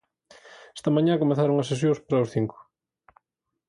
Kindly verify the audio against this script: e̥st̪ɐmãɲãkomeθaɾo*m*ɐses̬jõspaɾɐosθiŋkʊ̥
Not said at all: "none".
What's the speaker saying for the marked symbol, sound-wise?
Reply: ŋ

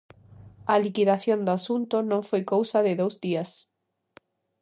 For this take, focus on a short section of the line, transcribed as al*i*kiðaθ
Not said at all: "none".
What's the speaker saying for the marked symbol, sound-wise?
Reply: i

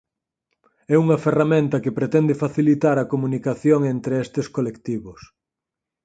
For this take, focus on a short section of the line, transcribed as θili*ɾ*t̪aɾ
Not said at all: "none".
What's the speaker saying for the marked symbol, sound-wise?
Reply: none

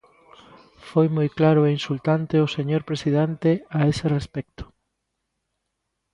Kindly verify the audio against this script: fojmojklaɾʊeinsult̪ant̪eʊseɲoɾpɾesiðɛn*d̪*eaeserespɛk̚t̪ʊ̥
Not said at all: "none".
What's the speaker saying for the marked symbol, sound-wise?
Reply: t̪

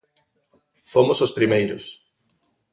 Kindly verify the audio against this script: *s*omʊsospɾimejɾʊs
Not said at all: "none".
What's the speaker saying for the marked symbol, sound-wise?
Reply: f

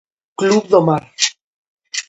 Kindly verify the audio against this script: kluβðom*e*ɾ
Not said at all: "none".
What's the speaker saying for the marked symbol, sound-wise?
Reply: a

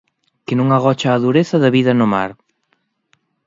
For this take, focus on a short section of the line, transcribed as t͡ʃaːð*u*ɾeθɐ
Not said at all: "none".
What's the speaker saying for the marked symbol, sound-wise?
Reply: u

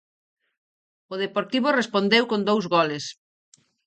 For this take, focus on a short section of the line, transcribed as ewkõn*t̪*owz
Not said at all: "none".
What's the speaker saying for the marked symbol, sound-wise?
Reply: d̪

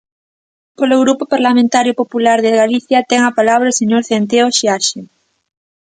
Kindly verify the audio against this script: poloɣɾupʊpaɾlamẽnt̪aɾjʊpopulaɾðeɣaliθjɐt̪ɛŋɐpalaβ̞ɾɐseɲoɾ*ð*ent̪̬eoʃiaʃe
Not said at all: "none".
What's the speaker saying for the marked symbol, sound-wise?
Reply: θ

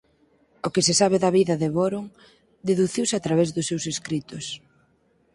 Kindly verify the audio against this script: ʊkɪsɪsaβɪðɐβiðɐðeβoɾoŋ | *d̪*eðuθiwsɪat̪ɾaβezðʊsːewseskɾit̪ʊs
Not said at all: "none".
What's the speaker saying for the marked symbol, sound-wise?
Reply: d̪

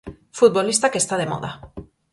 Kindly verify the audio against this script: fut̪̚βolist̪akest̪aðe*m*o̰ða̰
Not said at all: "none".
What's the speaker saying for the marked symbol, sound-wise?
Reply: m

